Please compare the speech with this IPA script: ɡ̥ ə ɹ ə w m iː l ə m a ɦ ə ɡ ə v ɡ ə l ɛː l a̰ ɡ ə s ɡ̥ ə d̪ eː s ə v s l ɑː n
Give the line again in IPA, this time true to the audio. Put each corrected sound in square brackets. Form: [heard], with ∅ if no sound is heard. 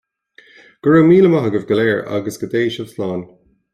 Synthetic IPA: ɡ̥ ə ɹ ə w m iː l ə m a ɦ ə ɡ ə v ɡ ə l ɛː [ɹ] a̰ ɡ ə s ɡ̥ ə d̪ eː [ʃ] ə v s l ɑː n